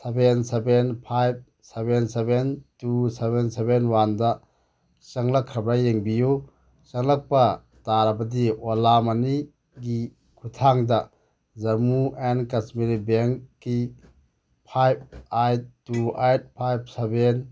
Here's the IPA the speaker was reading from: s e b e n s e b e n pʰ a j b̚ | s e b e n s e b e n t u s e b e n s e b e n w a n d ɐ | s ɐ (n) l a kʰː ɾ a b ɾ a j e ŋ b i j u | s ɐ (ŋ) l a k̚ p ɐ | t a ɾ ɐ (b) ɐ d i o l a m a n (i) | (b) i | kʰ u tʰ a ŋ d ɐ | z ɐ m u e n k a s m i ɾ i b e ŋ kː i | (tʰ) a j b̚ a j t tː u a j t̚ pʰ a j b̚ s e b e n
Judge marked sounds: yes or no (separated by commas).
no, yes, yes, yes, no, no